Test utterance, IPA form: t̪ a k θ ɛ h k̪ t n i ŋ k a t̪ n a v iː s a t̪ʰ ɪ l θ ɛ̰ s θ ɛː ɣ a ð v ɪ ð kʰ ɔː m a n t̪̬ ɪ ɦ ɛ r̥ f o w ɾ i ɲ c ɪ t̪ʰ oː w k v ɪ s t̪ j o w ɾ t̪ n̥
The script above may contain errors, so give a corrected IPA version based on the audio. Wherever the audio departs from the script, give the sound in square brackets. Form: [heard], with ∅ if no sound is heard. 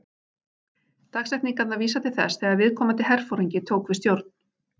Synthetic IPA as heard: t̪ a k [s] ɛ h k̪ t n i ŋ k a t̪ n a v iː s a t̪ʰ ɪ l θ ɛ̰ s θ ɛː ɣ a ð v ɪ ð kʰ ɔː m a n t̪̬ ɪ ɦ ɛ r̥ f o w ɾ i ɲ c ɪ t̪ʰ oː w k v ɪ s t̪ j o w ɾ t̪ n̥